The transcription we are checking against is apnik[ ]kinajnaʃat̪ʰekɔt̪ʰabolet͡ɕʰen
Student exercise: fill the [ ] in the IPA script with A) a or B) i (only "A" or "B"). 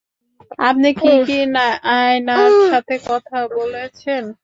B